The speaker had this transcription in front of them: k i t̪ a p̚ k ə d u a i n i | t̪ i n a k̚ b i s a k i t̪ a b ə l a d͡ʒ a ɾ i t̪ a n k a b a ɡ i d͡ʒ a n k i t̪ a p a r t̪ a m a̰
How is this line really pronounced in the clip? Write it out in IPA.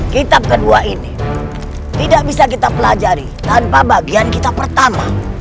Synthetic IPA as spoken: k i t̪ a p̚ k ə d u a i n i | t̪ i d a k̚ b i s a k i t̪ a p ə l a d͡ʒ a ɾ i t̪ a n p a b a ɡ i a n k i t̪ a p ə r t̪ a m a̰